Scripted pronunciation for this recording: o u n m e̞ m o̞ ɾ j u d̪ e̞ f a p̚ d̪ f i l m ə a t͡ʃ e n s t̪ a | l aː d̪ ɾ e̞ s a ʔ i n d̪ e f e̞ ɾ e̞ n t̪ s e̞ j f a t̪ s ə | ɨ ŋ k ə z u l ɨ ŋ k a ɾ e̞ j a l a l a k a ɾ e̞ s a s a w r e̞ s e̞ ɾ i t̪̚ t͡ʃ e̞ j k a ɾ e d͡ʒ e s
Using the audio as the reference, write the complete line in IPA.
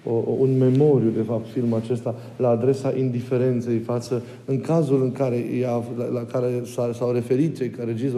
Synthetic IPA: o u n m e̞ m o̞ ɾ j u d̪ e̞ f a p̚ t̪ f i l m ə a t͡ʃ e s t̪ a | l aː d̪ ɾ e̞ s a ʔ i n d̪ i f e̞ ɾ e̞ n t̪ s e̞ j f a t̪ s ə | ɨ ŋ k a z u l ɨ ŋ k a ɾ e̞ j a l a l a k a ɾ e̞ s a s a w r e̞ f e̞ ɾ i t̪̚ t͡ʃ e̞ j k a ɾ e d͡ʒ i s